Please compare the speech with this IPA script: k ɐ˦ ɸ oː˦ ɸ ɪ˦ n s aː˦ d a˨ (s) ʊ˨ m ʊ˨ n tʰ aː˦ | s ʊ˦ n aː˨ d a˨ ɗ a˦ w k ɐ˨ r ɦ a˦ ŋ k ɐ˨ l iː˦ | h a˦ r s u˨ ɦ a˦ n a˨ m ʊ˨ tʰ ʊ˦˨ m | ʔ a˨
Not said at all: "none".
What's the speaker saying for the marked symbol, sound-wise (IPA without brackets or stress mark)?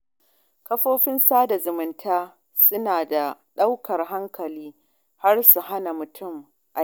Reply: z